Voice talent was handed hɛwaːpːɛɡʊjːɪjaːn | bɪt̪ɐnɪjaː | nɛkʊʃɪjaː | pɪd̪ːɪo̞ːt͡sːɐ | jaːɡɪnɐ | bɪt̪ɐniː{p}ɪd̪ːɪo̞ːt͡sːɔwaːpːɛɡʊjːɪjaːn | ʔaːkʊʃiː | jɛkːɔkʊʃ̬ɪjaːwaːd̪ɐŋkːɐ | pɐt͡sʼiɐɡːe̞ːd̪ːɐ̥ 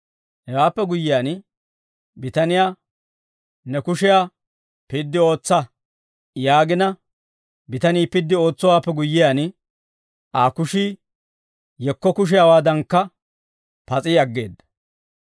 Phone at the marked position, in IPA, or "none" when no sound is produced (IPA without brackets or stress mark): p